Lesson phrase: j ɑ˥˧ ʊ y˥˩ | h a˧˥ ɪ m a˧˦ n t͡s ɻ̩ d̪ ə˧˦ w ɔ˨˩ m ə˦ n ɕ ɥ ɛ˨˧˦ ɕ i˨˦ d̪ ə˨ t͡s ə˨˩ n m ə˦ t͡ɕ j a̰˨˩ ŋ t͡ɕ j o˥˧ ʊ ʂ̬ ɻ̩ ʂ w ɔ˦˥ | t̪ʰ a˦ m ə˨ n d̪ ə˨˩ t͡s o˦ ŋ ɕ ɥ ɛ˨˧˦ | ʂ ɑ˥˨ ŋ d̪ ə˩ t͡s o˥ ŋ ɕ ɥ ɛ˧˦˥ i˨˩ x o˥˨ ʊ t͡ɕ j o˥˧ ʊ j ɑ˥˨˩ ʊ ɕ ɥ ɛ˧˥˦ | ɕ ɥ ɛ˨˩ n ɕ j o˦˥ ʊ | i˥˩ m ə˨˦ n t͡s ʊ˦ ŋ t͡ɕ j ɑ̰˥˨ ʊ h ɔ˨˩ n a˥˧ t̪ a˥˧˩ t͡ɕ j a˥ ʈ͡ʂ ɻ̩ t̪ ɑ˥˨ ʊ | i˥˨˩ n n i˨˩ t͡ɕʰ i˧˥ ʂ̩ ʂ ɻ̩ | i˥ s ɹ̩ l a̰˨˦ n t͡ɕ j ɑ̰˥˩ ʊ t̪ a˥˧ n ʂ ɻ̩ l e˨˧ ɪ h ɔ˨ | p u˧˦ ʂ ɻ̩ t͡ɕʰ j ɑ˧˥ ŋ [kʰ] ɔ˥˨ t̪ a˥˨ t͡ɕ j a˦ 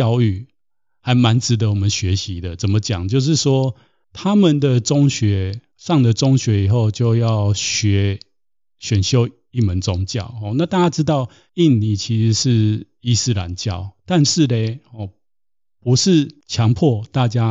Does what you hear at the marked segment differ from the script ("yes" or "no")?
yes